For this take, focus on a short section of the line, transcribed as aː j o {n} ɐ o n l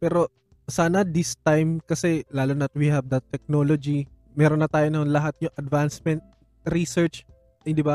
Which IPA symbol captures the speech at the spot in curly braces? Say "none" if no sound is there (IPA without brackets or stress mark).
n